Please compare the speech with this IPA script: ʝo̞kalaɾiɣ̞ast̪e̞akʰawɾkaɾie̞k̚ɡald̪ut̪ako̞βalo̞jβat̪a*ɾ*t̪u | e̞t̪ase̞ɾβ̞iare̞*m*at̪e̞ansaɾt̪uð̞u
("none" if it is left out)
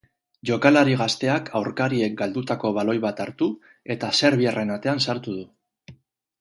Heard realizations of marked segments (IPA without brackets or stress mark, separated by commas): ɾ, n